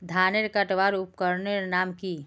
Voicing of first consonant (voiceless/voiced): voiced